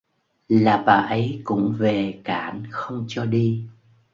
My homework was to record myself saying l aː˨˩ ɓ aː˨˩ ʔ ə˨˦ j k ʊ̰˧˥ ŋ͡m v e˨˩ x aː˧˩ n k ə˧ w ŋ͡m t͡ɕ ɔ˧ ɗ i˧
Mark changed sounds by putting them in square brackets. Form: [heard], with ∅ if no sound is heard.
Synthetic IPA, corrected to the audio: l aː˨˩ ɓ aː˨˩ ʔ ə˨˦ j k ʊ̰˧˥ ŋ͡m v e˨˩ [k] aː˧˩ n [x] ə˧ w ŋ͡m t͡ɕ ɔ˧ ɗ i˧